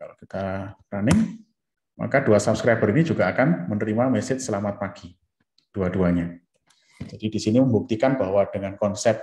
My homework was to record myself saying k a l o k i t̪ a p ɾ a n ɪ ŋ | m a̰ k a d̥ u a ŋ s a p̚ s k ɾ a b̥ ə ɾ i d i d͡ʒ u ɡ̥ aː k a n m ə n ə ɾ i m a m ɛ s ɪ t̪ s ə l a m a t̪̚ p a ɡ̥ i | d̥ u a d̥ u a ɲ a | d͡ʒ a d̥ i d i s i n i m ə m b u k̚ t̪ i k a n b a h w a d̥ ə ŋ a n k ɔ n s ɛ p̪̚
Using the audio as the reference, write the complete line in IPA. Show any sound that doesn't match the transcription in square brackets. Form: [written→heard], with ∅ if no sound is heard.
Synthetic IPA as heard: k a l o k i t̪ a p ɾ a n ɪ ŋ | m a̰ k a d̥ u a [ŋ→∅] s a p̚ s k ɾ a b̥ ə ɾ i [d→n] i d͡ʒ u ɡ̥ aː k a n m ə n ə ɾ i m a m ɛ s ɪ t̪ s ə l a m a t̪̚ p a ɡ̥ i | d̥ u a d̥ u a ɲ a | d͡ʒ a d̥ i d i s i n i m ə m b u k̚ t̪ i k a n b a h w a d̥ ə ŋ a n k ɔ n s ɛ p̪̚